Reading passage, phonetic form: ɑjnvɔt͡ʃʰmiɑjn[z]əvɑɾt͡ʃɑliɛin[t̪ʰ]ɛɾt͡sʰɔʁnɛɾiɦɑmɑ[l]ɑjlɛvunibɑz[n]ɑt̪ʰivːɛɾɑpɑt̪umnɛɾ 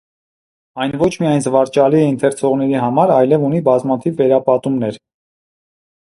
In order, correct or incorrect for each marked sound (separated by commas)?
correct, correct, incorrect, incorrect